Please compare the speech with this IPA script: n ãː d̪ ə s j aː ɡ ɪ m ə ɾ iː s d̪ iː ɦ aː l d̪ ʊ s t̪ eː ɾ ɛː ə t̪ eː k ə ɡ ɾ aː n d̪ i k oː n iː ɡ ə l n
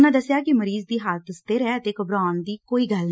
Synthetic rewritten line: n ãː d̪ ə s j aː k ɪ m ə ɾ iː z d̪ iː ɦ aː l t̪ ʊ s t̪ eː ɾ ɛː ə t̪ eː k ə b ɾ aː n d̪ iː k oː iː ɡ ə l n